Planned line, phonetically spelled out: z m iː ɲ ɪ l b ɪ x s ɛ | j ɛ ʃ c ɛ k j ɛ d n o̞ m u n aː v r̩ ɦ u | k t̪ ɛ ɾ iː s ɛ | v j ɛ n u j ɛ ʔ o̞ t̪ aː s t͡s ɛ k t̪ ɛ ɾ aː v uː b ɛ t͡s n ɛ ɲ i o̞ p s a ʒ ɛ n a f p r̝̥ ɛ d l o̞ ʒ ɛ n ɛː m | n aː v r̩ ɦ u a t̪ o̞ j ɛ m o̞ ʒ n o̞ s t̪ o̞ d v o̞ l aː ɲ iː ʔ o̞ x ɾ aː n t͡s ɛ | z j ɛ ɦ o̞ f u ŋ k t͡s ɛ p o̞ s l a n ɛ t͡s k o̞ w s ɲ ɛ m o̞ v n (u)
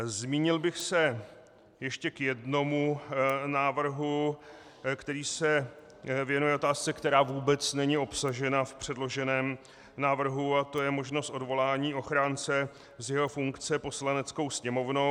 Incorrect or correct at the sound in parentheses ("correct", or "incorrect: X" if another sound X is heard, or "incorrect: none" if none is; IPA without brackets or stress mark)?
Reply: incorrect: o